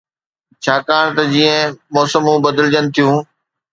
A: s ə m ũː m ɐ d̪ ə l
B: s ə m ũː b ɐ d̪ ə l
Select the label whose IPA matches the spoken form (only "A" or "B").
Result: B